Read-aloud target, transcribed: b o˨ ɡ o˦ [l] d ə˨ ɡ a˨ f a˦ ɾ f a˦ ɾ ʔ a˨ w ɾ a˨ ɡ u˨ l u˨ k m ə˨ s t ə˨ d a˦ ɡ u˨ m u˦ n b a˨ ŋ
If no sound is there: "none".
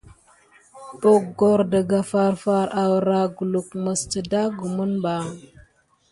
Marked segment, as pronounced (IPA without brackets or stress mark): ɾ